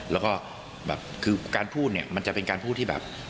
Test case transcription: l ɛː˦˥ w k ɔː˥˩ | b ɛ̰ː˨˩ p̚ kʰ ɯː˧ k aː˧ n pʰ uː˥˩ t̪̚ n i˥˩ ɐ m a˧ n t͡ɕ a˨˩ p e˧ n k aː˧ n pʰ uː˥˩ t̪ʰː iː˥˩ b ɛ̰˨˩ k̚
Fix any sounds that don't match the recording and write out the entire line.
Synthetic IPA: l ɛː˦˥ w k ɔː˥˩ | b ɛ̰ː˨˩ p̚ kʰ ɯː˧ k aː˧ n pʰ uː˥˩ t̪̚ n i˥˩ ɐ m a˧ n t͡ɕ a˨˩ p e˧ n k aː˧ n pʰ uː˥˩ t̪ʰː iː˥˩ b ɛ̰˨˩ p̚